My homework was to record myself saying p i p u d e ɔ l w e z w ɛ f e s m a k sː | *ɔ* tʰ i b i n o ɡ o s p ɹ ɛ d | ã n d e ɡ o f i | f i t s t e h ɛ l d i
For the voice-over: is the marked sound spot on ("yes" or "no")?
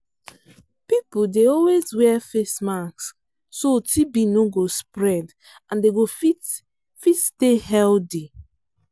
no